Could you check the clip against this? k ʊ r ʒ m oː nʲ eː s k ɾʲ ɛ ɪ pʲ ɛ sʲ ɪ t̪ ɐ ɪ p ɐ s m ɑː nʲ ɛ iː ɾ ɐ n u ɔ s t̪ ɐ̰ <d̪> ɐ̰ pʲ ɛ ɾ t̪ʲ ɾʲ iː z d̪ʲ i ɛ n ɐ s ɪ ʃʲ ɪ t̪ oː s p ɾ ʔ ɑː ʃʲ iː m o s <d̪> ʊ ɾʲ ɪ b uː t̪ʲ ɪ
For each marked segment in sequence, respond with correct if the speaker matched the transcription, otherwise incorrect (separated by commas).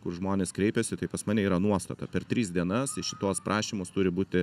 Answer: incorrect, incorrect